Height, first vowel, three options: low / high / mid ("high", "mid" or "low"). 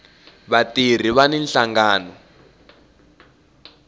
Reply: low